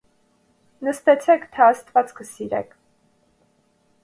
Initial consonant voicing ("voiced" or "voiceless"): voiced